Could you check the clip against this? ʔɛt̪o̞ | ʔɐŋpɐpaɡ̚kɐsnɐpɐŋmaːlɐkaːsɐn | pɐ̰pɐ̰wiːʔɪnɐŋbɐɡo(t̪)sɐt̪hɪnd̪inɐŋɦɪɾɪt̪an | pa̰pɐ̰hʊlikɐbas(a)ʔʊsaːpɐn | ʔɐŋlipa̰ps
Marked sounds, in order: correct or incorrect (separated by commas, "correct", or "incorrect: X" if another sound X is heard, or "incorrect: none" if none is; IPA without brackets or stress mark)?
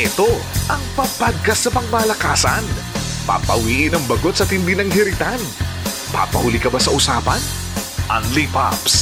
correct, incorrect: ɐ